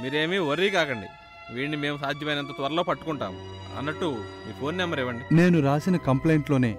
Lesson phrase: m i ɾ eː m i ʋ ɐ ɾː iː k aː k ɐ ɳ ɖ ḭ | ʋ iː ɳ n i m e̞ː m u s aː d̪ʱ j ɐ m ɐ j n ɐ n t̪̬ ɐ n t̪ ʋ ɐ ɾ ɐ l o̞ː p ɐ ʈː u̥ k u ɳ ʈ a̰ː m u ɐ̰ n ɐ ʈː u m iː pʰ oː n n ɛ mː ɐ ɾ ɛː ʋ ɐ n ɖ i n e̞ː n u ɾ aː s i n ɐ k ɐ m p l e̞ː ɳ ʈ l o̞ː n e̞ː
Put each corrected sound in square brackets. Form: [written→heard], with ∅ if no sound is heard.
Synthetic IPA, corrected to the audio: m [i→iː] ɾ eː m i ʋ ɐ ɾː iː k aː k ɐ ɳ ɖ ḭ | ʋ iː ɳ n i m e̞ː m u s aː d̪ʱ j ɐ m ɐ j n ɐ n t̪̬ ɐ [n→∅] t̪ ʋ ɐ ɾ ɐ l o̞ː p ɐ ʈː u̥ k u ɳ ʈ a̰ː m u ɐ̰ [n→nː] ɐ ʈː u m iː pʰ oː n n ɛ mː ɐ ɾ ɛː ʋ ɐ [n→ɳ] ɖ i n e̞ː n u ɾ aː s i n ɐ k ɐ m p l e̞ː ɳ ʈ l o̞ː n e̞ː